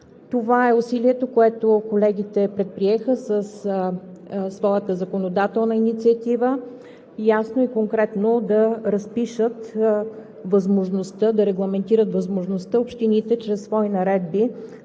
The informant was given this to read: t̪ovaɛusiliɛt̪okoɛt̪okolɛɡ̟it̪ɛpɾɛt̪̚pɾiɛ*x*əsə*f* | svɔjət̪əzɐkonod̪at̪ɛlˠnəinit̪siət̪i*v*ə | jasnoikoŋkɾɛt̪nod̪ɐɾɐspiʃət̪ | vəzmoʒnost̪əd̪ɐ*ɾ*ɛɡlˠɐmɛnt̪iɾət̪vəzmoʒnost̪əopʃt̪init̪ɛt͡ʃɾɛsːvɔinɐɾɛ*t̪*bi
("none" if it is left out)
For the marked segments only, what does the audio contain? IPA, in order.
x, s, v, ɾ, d̪

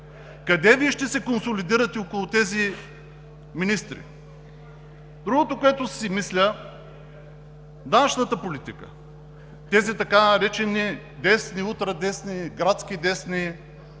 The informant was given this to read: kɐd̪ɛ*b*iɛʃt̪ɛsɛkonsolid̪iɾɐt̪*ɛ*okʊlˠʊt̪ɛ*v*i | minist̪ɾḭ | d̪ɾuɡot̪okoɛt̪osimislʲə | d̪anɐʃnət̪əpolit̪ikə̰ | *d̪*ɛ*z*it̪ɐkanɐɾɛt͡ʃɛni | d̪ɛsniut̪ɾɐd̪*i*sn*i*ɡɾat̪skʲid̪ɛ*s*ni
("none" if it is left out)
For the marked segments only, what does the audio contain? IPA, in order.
v, ɛ, z, t̪, z, ɛ, i, s

